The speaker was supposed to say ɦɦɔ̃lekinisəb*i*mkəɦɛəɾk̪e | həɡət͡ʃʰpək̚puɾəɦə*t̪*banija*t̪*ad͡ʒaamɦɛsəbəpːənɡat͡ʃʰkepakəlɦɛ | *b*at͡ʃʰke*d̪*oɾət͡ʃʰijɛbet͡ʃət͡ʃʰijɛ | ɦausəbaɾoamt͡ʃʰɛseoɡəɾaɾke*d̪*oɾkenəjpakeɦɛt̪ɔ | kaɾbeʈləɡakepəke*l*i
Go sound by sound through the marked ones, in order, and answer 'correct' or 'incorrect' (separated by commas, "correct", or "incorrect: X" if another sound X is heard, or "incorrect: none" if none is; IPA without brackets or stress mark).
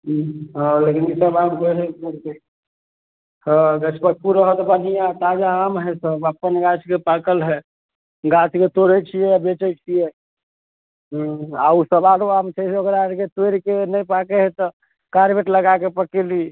incorrect: a, correct, correct, incorrect: ɡ, incorrect: t̪, incorrect: t̪, correct